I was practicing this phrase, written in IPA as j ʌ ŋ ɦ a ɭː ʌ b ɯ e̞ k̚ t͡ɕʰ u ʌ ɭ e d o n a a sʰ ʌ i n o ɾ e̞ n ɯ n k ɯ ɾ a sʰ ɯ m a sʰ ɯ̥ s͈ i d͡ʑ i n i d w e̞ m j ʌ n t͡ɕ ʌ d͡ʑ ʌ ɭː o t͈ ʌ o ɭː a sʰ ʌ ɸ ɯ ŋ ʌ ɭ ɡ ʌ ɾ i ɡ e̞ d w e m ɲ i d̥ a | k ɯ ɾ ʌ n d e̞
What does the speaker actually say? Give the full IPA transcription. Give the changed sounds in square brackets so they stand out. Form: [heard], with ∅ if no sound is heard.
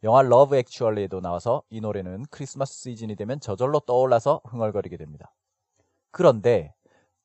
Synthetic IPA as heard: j ʌ ŋ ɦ a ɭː ʌ b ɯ e̞ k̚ t͡ɕʰ u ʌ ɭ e d o n a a sʰ ʌ i n o ɾ e̞ n ɯ n [kʰ] ɯ ɾ [i] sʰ ɯ m a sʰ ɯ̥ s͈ i d͡ʑ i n i d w e̞ m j ʌ n t͡ɕ ʌ d͡ʑ ʌ ɭː o t͈ ʌ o ɭː a sʰ ʌ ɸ ɯ ŋ ʌ ɭ ɡ ʌ ɾ i ɡ e̞ d w e m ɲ i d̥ a | k ɯ ɾ ʌ n d e̞